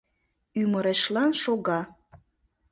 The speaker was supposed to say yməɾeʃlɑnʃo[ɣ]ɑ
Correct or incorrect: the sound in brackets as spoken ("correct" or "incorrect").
correct